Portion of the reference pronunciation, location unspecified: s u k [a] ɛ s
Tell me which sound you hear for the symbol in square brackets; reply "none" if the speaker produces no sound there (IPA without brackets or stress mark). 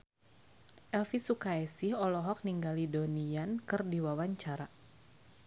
a